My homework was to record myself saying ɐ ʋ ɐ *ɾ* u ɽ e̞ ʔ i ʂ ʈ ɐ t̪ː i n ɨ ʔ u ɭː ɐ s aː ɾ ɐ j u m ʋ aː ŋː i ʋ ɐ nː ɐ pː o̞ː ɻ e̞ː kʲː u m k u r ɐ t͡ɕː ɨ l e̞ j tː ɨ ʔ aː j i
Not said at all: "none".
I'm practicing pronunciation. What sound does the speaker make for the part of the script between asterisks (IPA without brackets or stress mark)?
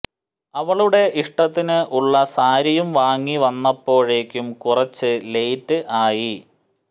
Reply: ɭ